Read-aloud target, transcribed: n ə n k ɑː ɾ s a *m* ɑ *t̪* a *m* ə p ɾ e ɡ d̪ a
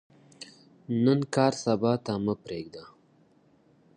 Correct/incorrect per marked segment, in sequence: incorrect, correct, correct

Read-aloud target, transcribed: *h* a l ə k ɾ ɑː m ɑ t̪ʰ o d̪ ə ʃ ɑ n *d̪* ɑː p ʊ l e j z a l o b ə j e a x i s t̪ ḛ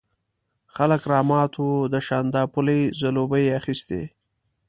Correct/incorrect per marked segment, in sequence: incorrect, correct

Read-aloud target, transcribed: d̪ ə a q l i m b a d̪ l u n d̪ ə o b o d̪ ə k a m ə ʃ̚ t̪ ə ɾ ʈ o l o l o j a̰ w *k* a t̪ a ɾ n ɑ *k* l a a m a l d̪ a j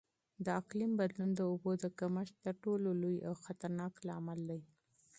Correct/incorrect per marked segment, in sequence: incorrect, correct

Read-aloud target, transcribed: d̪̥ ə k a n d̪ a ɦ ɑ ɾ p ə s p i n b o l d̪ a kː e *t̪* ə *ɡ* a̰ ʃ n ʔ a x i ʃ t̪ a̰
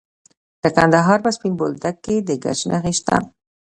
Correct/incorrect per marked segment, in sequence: incorrect, correct

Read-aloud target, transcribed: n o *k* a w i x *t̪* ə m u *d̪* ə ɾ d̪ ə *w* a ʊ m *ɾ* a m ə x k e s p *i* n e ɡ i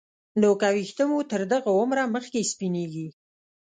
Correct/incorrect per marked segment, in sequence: correct, correct, incorrect, incorrect, correct, correct

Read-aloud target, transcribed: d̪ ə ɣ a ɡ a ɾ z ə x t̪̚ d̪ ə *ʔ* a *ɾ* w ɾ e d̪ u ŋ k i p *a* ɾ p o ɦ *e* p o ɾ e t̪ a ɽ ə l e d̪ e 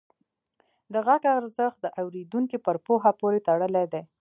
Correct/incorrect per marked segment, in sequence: correct, incorrect, incorrect, incorrect

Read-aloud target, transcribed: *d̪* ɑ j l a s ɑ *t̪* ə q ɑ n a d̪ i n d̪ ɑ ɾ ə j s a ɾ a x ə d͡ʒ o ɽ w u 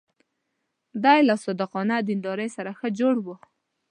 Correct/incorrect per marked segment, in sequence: correct, incorrect

